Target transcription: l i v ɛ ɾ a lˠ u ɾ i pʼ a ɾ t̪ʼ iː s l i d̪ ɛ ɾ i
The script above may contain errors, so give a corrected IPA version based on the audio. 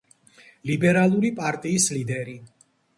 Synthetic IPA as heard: l i b ɛ ɾ a lˠ u ɾ i pʼ a ɾ t̪ʼ iː s l i d̪ ɛ ɾ i